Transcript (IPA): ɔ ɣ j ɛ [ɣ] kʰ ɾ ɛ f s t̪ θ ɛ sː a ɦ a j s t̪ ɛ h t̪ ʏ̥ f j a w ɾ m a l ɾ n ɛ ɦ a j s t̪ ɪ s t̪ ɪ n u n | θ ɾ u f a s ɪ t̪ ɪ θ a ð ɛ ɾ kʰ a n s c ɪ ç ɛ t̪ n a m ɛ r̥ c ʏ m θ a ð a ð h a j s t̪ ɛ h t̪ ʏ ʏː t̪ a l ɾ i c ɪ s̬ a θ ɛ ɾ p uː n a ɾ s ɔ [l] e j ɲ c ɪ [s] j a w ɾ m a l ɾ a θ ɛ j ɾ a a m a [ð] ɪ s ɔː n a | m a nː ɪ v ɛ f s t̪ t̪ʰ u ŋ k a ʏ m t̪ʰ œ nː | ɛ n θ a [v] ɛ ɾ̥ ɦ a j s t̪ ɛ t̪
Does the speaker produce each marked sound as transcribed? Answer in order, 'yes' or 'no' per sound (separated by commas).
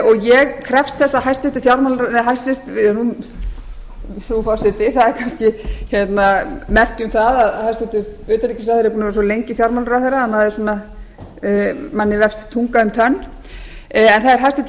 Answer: yes, yes, no, yes, no